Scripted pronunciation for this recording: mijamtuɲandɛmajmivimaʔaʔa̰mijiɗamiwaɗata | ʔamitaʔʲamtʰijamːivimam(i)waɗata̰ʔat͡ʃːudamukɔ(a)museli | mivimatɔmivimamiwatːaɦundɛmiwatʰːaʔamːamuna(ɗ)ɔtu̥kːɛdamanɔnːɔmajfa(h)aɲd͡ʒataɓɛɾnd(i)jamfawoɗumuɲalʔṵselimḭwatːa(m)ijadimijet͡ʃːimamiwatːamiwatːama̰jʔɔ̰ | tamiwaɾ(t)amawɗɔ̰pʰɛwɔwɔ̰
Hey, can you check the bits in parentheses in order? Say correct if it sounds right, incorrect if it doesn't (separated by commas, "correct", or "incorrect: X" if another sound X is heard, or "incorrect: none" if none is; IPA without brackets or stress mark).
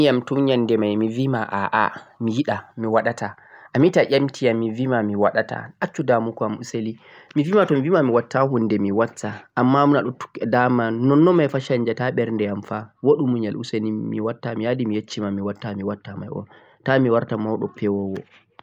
correct, correct, correct, incorrect: ʃ, incorrect: ɛ, correct, correct